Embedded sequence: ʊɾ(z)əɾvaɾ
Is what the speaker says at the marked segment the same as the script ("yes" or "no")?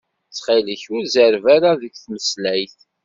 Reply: yes